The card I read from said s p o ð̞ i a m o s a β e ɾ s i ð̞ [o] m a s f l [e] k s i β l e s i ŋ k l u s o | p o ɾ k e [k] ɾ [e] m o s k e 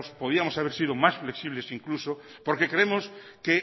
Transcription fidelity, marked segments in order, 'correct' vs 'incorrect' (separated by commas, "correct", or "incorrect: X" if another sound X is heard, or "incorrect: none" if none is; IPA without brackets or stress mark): correct, correct, correct, correct